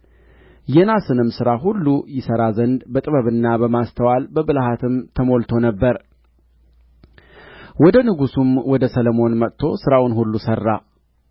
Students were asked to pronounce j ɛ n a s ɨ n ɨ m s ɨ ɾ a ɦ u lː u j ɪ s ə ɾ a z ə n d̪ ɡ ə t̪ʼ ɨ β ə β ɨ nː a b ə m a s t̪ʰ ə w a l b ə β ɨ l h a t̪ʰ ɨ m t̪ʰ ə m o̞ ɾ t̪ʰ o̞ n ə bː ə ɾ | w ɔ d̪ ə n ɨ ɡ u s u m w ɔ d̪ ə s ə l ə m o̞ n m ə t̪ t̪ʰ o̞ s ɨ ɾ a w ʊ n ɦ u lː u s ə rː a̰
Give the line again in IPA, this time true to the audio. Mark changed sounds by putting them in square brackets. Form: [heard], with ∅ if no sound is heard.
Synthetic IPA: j ɛ n a s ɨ n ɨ m s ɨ ɾ a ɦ u lː u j ɪ s ə ɾ a z ə n d̪ [b] ə t̪ʼ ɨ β ə β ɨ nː a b ə m a s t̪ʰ ə w a l b ə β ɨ l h a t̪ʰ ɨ m t̪ʰ ə m o̞ [l] t̪ʰ o̞ n ə bː ə ɾ | w ɔ d̪ ə n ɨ ɡ u s u m w ɔ d̪ ə s ə l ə m o̞ n m ə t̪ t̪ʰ o̞ s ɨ ɾ a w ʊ n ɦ u lː u s ə rː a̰